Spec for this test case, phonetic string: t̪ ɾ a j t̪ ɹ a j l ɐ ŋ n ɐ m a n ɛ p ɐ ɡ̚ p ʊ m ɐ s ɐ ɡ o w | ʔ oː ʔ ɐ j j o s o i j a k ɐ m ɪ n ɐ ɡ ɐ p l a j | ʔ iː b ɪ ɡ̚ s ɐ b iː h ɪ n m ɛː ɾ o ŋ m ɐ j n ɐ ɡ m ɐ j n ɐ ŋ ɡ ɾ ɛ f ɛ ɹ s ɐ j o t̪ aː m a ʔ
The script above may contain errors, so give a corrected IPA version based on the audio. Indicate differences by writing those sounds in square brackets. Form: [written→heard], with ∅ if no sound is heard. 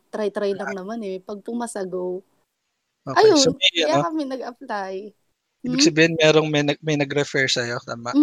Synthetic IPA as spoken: t̪ ɾ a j t̪ [ɹ→ɾ] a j l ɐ ŋ n ɐ m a n ɛ p ɐ ɡ̚ p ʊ m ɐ s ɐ ɡ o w | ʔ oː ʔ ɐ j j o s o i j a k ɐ m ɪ n ɐ ɡ ɐ p l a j | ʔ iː b ɪ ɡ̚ s ɐ b iː h ɪ n m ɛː ɾ o ŋ m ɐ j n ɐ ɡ m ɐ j n ɐ [ŋ→∅] ɡ ɾ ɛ f ɛ ɹ s ɐ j o t̪ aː m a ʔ